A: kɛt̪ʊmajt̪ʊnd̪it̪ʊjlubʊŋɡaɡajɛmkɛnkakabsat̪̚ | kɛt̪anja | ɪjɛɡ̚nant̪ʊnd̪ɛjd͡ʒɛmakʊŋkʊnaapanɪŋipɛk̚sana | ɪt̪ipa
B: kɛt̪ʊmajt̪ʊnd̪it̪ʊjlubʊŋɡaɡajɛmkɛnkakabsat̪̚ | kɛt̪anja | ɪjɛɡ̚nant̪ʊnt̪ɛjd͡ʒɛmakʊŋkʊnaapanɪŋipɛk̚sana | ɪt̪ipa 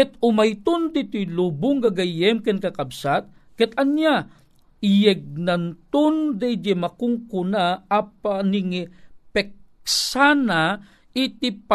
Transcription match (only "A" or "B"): A